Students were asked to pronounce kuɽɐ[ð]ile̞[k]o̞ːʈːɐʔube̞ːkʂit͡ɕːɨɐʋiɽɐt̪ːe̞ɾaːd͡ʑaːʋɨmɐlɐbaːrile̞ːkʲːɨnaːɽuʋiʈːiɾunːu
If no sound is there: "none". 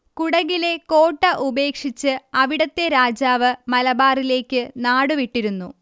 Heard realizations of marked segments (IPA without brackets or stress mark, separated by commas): ɣ, k